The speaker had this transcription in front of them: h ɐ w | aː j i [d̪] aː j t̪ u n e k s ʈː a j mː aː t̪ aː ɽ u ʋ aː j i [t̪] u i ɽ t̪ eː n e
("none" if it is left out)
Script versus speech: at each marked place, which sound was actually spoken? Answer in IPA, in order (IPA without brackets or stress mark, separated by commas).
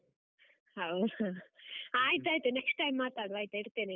t̪, t̪